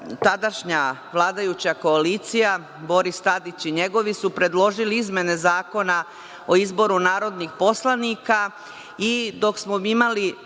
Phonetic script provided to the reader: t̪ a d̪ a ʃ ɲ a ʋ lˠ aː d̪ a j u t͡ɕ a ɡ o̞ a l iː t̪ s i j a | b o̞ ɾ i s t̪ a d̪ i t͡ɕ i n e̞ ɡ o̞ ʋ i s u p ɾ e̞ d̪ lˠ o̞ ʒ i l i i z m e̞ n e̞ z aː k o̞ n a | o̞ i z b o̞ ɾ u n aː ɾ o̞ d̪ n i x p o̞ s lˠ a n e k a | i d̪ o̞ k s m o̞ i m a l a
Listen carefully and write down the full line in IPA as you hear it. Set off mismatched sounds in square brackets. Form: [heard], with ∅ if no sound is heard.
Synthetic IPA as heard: t̪ a d̪ a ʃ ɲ a ʋ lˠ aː d̪ a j u t͡ɕ a [k] o̞ a l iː t̪ s i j a | b o̞ ɾ i s t̪ a d̪ i t͡ɕ i [ɲ] e̞ ɡ o̞ ʋ i s u p ɾ e̞ d̪ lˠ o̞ ʒ i l i i z m e̞ n e̞ z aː k o̞ n a | o̞ i z b o̞ ɾ u n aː ɾ o̞ d̪ n i x p o̞ s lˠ a n [i] k a | i d̪ o̞ k s m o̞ i m a l [i]